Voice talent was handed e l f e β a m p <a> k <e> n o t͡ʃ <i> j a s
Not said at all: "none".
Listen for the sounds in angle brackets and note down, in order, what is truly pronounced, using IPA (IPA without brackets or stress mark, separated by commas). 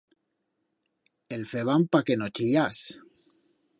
a, e, i